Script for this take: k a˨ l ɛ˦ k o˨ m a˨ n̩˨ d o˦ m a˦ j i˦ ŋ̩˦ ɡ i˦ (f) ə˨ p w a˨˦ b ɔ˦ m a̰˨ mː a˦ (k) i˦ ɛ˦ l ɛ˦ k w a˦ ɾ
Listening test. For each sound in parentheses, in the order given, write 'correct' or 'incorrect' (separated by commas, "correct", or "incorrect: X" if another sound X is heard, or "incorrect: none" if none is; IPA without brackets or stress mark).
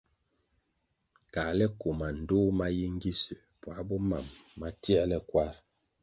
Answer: incorrect: s, incorrect: t